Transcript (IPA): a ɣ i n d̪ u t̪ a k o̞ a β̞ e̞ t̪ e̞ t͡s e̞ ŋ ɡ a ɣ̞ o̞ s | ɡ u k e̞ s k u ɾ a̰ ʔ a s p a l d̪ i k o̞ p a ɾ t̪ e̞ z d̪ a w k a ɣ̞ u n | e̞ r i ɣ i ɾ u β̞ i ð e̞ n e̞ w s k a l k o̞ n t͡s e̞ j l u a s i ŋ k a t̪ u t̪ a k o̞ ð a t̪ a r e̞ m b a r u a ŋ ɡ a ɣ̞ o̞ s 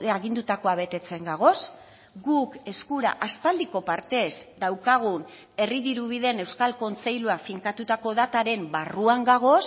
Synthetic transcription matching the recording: a ɣ i n d̪ u t̪ a k o̞ a β̞ e̞ t̪ e̞ t͡s e̞ ŋ ɡ a ɣ̞ o̞ s | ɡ u k e̞ s k u ɾ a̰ ʔ a s p a l d̪ i k o̞ p a ɾ t̪ e̞ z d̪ a w k a ɣ̞ u n | e̞ r i ð i ɾ u β̞ i ð e̞ n e̞ w s k a l k o̞ n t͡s e̞ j l u a f i ŋ k a t̪ u t̪ a k o̞ ð a t̪ a ɾ e̞ m b a r u a ŋ ɡ a ɣ̞ o̞ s

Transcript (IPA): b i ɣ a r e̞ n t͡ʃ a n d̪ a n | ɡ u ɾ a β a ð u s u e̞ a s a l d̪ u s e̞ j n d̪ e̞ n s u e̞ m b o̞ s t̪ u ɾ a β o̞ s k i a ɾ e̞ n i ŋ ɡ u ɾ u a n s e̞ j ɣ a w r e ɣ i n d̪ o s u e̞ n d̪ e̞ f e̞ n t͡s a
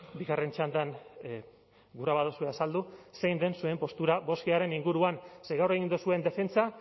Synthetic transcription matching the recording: b i ɣ a r e̞ n t͡ʃ a n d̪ a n | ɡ u ɾ a β a ð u s u e̞ a s a l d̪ u s e̞ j n d̪ e̞ n s u e̞ m p o̞ s t̪ u ɾ a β o̞ s k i a ɾ e̞ n i ŋ ɡ u ɾ u a n s e̞ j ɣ a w r e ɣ i n d̪ u s u e̞ n d̪ e̞ f e̞ n t͡s a

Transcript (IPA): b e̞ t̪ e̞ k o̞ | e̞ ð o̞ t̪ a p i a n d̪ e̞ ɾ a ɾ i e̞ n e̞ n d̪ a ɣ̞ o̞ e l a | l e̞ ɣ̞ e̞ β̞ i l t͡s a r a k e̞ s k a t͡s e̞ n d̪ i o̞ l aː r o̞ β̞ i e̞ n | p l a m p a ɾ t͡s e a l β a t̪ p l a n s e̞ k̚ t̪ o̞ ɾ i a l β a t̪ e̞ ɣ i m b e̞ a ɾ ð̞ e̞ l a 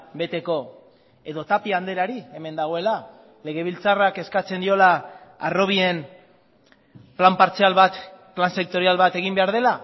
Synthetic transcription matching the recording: b e̞ t̪ e̞ k o̞ | e̞ ð o̞ t̪ a p i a n d̪ e̞ ɾ a ɾ i e̞ m e̞ n d̪ a ɣ̞ o̞ e l a | l e̞ ɣ̞ e̞ β̞ i l t͡s a r a k e̞ s k a t͡s e̞ n d̪ i o̞ l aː r o̞ β̞ i e̞ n | p l a m p a ɾ t͡s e a l β a t̪ p l a n s e̞ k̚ t̪ o̞ ɾ i a l β a t̪ e̞ ɣ i m b e̞ a ɾ ð̞ e̞ l a

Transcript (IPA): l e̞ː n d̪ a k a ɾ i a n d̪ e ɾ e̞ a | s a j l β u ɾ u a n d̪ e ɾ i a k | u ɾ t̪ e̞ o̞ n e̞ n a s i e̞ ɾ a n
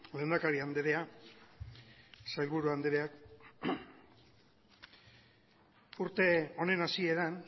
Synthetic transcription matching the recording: l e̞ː n d̪ a k a ɾ i a n d̪ e ɾ e̞ a | s a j l β u ɾ u a n d̪ e ɾ e a k | u ɾ t̪ e̞ o̞ n e̞ n a s i e̞ ɾ a n

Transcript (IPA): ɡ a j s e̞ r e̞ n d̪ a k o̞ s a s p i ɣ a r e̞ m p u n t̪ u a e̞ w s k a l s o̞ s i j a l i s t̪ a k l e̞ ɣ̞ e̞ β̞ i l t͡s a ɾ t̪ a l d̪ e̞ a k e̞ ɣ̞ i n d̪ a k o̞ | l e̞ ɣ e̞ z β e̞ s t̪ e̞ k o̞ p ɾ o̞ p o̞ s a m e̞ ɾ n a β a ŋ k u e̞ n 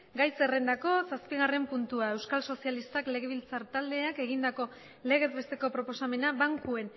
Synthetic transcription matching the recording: ɡ a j s e̞ r e̞ n d̪ a k o̞ s a s p i ɣ a r e̞ m p u n t̪ u a e̞ w s k a l s o̞ s i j a l i s t̪ a k l e̞ ɣ̞ e̞ β̞ i l t͡s a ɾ t̪ a l d̪ e̞ a k e̞ ɣ̞ i n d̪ a k o̞ | l e̞ ɣ e̞ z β e̞ s t̪ e̞ k o̞ p ɾ o̞ p o̞ s a m e̞ n a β a ŋ k u e̞ n

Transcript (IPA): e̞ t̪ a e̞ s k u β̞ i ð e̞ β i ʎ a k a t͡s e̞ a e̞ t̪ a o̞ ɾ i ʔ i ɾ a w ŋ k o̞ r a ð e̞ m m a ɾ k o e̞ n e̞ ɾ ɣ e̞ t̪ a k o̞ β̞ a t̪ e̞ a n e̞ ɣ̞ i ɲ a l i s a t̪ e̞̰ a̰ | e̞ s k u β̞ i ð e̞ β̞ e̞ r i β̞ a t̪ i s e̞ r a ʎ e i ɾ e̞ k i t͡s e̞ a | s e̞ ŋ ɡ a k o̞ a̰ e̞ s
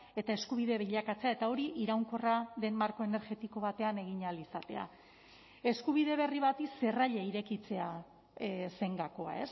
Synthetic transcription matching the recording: e̞ t̪ a e̞ s k u β̞ i ð e̞ β i ʎ a k a t͡s e̞ a e̞ t̪ a o̞ ɾ i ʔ i ɾ a w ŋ k o̞ r a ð e̞ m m a ɾ k o e̞ n e̞ ɾ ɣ e̞ t̪ i k o̞ β̞ a t̪ e̞ a n e̞ ɣ̞ i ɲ a l i s a t̪ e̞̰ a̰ | e̞ s k u β̞ i ð e̞ β̞ e̞ r i β̞ a t̪ i s e̞ r a ʎ e i ɾ e̞ k i t͡s e̞ a | s e̞ ŋ ɡ a k o̞ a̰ e̞ s

